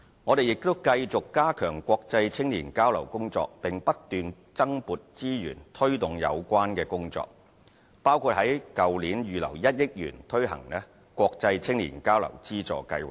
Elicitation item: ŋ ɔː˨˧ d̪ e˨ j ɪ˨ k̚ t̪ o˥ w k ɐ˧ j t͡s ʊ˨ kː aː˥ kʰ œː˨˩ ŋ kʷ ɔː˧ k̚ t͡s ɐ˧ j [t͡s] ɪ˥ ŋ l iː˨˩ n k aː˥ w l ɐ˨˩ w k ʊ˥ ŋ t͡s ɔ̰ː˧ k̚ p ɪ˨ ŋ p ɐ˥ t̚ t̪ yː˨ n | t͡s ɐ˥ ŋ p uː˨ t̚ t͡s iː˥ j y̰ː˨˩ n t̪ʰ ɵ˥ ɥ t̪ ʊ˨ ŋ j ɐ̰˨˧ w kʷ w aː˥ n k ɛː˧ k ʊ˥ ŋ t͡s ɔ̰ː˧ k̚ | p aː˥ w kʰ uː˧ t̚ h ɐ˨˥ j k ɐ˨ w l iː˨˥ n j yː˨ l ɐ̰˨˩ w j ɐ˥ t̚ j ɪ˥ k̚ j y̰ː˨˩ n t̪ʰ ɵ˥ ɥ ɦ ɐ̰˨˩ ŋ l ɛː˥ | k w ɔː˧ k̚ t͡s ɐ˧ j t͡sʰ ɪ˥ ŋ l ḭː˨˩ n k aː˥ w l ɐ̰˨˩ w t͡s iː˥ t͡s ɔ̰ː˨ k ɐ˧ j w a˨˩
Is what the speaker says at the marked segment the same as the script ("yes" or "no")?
no